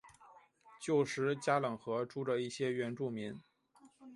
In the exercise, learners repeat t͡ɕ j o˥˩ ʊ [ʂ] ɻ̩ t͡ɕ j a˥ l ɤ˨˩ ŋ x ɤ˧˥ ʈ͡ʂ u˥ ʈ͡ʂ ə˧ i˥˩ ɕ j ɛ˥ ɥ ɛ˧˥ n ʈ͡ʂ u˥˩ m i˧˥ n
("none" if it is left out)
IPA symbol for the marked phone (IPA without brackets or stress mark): ʂ